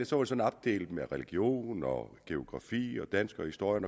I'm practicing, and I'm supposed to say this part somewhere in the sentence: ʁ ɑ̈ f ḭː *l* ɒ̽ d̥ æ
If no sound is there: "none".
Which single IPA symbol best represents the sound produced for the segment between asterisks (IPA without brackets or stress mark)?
none